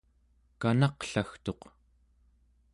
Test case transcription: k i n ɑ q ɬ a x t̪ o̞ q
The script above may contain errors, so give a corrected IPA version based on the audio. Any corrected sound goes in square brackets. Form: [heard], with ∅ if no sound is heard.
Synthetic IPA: k [a] n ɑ q ɬ a x t̪ o̞ q